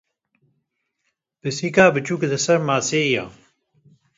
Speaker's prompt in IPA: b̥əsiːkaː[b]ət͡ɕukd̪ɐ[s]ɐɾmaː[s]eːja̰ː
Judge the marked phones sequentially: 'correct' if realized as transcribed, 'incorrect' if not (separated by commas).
correct, correct, correct